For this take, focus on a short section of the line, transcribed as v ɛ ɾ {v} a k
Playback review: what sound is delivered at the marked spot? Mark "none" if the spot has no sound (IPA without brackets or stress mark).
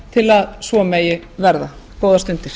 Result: ð